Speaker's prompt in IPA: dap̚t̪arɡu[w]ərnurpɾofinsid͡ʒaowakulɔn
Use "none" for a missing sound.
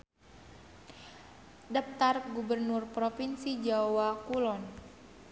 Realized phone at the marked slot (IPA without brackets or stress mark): b